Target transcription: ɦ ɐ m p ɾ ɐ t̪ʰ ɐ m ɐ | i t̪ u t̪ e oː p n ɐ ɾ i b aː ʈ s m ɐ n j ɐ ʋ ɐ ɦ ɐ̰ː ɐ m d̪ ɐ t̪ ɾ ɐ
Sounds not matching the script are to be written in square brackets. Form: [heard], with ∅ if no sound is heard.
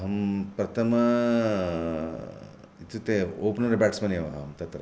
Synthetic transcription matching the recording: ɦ ɐ m p ɾ ɐ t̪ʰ ɐ m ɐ | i t̪ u t̪ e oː p n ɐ ɾ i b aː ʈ s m ɐ n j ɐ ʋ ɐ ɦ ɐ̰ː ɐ m [t̪] ɐ t̪ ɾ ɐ